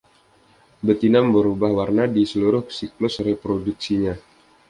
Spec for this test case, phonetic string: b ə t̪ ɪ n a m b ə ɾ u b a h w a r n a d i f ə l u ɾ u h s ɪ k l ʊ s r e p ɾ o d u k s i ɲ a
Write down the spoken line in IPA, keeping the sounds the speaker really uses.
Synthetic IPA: b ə t̪ i n a m b ə ɾ u b a h w a r n a d i s ə l u ɾ ʊ h s i k l ʊ s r e p ɾ o d u k s i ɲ a